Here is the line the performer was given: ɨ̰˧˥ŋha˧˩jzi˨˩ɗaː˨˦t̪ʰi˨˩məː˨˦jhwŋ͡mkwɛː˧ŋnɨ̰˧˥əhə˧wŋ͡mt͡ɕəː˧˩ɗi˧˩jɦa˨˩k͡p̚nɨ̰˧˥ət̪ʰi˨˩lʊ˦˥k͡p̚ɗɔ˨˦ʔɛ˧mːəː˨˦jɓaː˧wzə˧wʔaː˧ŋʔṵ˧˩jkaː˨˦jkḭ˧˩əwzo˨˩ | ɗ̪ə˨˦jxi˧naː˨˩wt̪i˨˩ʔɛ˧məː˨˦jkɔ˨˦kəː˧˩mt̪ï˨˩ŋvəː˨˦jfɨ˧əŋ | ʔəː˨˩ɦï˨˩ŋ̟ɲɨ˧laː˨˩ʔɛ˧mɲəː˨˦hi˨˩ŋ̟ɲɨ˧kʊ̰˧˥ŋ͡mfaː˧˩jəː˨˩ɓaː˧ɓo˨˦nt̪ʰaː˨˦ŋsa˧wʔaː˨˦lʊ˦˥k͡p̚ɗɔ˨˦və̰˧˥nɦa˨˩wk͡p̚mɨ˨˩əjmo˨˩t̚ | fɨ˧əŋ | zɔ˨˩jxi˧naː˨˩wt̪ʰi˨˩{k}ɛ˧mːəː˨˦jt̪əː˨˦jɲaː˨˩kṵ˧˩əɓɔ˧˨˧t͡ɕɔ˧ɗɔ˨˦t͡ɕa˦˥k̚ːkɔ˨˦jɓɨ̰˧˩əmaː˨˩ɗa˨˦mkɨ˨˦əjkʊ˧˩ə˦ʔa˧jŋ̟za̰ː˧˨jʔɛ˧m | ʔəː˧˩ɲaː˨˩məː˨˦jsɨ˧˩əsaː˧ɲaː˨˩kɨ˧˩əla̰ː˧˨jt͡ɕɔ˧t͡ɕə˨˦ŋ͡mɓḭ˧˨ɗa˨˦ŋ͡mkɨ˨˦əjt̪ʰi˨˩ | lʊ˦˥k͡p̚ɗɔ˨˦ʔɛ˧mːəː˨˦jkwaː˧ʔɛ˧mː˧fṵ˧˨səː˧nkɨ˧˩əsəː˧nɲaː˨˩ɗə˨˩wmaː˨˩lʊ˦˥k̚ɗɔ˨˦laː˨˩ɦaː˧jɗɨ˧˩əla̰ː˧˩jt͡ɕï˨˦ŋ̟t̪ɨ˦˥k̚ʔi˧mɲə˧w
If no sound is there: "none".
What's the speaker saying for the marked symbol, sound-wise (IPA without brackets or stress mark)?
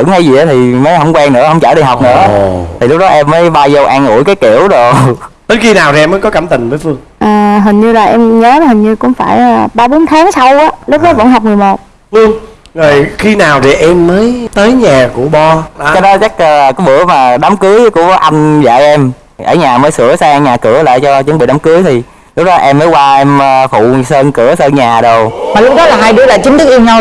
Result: ʔ